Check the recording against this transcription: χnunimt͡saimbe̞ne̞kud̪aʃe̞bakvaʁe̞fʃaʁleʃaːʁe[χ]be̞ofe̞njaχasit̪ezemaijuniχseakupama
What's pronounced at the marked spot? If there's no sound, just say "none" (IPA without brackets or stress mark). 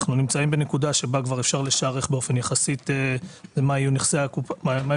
χ